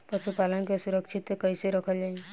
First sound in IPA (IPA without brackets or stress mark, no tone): p